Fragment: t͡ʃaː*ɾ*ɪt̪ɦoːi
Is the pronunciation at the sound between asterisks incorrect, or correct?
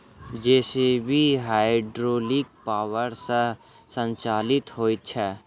incorrect